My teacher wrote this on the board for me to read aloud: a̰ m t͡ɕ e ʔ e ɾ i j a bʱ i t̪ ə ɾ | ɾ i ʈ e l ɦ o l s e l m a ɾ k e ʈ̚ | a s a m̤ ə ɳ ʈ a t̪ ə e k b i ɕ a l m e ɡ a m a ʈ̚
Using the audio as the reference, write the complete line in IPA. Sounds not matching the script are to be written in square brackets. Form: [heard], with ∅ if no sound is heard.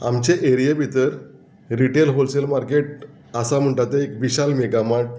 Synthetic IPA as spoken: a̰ m t͡ɕ e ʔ e ɾ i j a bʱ i t̪ ə ɾ | ɾ i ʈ e l ɦ o l s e l m a ɾ k e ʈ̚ | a s a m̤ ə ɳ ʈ a t̪ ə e k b i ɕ a l m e ɡ a m a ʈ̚